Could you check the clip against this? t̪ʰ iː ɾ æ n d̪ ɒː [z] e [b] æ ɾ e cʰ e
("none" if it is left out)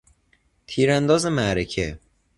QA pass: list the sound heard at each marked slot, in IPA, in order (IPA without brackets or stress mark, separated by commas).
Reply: z, m